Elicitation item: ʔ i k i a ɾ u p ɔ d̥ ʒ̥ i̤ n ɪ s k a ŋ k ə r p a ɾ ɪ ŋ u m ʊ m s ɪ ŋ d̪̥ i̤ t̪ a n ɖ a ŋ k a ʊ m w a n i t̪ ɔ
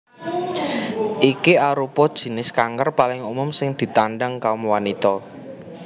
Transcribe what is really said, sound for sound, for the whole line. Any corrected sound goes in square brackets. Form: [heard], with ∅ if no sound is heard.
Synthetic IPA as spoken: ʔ i k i a ɾ u p ɔ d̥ ʒ̥ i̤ n ɪ s k a ŋ k ə r p a [l] ɪ ŋ u m ʊ m s ɪ ŋ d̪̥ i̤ t̪ a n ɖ a ŋ k a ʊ m w a n i t̪ ɔ